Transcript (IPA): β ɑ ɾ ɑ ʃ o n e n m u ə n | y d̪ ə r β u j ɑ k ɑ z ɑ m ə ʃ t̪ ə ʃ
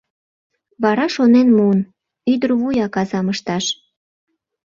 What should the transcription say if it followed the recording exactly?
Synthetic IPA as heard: β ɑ ɾ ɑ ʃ o n e n m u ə n | y d̪ ə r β u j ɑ k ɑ z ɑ m ə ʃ t̪ ɑ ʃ

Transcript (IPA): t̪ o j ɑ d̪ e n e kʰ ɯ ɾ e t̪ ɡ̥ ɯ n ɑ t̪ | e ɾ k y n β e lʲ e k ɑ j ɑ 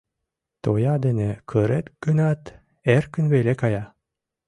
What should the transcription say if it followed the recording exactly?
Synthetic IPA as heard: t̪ o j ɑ d̪ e n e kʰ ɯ ɾ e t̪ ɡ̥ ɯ n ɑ t̪ | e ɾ k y n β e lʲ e k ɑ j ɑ

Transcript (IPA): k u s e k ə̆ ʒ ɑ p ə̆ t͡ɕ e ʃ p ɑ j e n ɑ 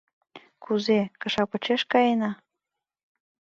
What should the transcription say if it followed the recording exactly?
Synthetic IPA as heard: k u z e k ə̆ ʃ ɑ p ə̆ t͡ɕ e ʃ k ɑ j e n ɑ

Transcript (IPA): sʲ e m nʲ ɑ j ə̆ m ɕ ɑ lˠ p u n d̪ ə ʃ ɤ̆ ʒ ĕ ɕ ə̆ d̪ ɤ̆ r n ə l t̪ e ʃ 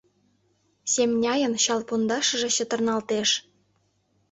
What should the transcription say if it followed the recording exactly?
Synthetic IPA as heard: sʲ e m nʲ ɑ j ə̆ n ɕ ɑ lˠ p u n d̪ ɑ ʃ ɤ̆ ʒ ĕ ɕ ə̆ t̪ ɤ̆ r n ɑ l t̪ e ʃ

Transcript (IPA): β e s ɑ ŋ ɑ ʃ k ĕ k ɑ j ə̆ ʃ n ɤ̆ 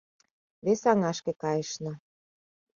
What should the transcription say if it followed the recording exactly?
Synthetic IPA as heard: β e s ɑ ŋ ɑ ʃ k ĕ k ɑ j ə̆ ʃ n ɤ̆

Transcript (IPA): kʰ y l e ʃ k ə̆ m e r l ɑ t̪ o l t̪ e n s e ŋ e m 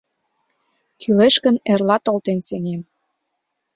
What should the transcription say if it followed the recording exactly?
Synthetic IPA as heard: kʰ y l e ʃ k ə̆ n e r l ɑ t̪ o l t̪ e n s e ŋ e m

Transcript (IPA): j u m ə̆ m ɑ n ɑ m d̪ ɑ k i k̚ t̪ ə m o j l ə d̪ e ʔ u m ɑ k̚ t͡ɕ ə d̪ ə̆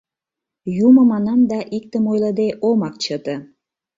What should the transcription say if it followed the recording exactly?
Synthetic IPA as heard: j u m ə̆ m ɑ n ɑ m d̪ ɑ ʔ i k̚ t̪ ə m o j l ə d̪ e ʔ o m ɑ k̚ t͡ɕ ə t̪ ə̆

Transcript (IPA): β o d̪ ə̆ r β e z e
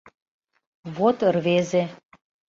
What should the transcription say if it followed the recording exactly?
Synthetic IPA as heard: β o t̪ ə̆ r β e z e

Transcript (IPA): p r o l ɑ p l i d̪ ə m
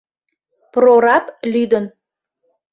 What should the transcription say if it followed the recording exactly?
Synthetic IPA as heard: p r o ɾ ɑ p l y d̪ ə n

